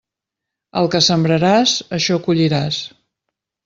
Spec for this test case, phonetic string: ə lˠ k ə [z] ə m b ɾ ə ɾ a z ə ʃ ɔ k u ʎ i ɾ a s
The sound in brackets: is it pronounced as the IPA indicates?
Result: no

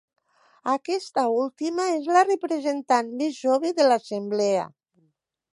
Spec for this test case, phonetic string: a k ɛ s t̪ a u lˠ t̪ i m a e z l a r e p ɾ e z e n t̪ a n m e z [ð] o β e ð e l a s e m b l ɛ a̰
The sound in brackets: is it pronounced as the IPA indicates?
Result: no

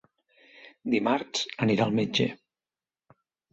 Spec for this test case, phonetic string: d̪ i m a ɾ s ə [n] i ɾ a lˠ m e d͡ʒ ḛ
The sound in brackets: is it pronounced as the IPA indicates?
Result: yes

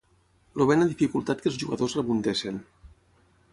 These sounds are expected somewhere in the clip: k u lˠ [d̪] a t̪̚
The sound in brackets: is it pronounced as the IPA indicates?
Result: no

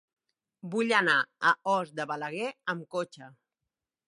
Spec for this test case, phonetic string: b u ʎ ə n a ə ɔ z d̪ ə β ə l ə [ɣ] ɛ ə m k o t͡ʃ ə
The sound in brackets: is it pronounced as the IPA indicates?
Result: yes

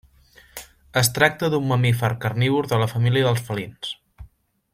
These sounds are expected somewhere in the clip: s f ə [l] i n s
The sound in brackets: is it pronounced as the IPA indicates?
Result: yes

